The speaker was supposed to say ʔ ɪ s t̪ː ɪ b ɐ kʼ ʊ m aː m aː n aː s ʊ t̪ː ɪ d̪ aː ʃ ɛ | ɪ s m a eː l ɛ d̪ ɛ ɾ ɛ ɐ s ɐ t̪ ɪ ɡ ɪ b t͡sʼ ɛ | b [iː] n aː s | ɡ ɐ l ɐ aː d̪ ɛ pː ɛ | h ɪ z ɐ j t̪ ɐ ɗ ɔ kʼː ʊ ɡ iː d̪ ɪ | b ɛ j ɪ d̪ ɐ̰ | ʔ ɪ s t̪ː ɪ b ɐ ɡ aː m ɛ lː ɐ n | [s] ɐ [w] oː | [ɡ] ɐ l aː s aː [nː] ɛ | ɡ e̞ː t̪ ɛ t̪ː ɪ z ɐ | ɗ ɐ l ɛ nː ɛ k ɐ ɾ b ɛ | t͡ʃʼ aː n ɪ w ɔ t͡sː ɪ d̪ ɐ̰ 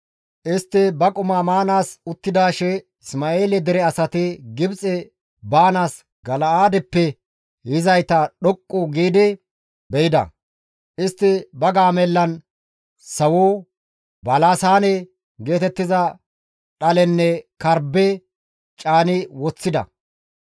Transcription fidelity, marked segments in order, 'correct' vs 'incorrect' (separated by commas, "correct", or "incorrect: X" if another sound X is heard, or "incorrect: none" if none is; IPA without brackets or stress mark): incorrect: aː, correct, correct, incorrect: b, incorrect: n